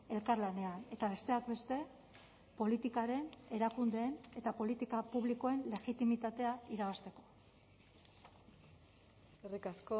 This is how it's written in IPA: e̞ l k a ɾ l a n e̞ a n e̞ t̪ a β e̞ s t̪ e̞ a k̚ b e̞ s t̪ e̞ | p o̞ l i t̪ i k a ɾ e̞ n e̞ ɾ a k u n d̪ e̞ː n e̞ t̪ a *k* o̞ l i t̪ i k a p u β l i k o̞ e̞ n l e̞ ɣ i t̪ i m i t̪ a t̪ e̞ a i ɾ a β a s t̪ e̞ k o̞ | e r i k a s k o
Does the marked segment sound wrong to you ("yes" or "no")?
yes